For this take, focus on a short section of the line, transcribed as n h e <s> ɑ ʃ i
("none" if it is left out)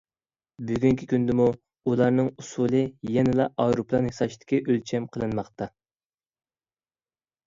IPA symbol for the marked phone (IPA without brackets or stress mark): s